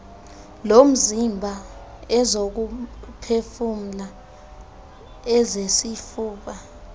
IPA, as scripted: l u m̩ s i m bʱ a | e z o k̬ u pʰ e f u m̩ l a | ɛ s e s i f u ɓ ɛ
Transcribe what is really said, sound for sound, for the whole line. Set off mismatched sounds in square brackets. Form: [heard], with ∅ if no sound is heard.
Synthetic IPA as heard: l [o] m̩ [z] i m bʱ a | [ɛ] z o k̬ u pʰ e f u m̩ l a | ɛ [z] e s i f [uː] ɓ [a]